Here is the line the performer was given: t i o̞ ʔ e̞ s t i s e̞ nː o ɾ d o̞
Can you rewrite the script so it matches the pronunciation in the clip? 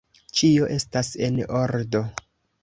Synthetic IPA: t͡ʃ i o̞ ʔ e̞ s t a s e̞ n o ɾ d o̞